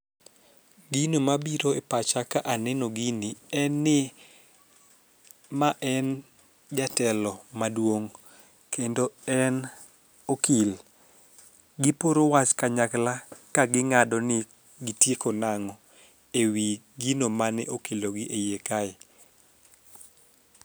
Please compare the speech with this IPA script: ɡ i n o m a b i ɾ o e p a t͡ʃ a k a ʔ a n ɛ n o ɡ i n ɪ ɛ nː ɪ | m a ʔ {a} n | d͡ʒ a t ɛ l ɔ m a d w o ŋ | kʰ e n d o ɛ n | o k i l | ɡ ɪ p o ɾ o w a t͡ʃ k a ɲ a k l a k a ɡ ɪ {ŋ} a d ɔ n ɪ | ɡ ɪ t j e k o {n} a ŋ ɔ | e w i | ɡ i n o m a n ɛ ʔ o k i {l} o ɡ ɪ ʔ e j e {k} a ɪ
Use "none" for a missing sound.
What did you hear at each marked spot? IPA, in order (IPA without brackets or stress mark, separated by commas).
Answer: ɛ, ŋ, n, l, k